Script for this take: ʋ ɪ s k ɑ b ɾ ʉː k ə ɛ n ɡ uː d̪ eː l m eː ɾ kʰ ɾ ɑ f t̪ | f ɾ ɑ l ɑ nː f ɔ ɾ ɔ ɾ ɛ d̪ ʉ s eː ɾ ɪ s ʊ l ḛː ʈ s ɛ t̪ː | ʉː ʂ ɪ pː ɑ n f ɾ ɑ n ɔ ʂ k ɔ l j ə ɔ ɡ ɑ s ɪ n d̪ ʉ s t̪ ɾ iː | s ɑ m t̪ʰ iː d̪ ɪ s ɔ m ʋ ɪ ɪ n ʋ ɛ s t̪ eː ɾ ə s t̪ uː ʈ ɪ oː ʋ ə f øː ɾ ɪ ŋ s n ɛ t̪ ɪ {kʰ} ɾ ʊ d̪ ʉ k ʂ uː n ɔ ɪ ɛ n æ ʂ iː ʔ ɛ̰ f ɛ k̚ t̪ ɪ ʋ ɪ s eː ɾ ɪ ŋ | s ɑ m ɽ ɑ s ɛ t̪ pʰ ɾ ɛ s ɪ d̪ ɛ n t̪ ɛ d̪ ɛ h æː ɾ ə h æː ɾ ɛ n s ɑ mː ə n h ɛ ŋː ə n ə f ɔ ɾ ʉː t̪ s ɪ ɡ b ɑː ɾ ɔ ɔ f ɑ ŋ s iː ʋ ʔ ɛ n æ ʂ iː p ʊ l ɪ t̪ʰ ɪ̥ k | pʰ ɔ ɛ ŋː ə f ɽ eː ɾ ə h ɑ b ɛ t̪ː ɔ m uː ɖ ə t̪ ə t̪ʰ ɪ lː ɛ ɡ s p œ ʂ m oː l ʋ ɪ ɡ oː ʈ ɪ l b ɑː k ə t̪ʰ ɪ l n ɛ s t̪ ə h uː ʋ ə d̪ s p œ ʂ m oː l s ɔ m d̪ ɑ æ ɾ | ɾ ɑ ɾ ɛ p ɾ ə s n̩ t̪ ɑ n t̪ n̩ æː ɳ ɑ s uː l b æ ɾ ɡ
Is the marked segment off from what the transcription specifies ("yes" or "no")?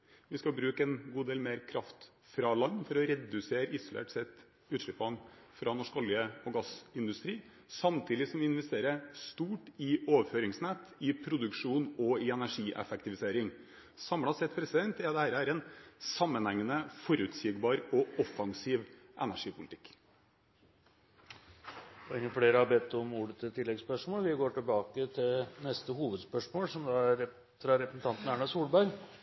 yes